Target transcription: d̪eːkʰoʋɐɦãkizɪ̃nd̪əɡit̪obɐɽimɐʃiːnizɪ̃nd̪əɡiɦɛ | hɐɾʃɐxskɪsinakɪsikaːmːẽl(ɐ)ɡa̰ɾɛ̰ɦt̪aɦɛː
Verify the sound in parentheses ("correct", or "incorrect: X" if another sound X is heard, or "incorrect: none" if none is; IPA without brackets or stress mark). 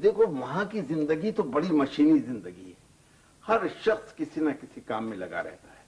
correct